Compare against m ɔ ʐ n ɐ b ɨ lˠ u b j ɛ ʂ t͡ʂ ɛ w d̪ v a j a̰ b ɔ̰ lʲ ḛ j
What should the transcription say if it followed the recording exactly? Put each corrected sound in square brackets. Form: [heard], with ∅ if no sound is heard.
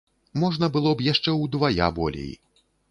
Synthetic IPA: m ɔ ʐ n ɐ b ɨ lˠ [ɔ] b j [a] ʂ t͡ʂ ɛ w d̪ v a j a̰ b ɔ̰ lʲ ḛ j